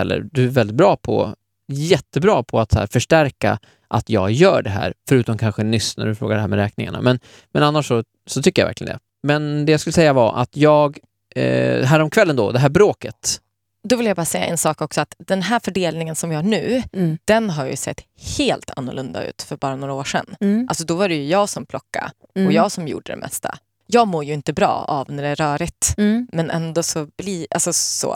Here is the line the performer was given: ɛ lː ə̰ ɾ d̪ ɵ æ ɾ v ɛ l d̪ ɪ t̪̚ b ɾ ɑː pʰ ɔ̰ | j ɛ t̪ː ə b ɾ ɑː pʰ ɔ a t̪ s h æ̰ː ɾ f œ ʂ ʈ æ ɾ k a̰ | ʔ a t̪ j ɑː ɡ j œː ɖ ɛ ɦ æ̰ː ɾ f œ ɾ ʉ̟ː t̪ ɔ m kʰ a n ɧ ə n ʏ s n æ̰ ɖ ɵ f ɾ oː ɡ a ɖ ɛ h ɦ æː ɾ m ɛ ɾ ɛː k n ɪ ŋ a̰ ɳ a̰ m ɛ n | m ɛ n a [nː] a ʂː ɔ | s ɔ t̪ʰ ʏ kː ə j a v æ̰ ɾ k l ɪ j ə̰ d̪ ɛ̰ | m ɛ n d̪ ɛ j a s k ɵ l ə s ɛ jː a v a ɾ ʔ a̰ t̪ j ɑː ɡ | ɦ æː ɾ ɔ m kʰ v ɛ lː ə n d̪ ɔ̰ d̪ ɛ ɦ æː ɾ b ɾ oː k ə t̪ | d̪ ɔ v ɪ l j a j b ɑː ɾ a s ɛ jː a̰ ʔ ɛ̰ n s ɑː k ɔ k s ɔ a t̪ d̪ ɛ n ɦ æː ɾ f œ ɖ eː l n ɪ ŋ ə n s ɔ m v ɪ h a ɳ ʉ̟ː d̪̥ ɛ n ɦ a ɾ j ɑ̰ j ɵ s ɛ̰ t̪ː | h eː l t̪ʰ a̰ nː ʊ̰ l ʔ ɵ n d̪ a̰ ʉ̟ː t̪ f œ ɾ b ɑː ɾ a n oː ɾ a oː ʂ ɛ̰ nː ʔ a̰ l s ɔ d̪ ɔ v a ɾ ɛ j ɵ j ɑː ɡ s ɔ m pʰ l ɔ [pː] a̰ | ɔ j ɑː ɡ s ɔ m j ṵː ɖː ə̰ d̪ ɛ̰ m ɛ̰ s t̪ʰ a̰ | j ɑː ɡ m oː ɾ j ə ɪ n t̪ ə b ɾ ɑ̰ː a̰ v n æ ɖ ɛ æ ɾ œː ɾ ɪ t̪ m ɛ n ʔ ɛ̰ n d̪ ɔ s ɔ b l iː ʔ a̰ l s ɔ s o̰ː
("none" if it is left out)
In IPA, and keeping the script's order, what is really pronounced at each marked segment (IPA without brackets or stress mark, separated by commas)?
nː, kː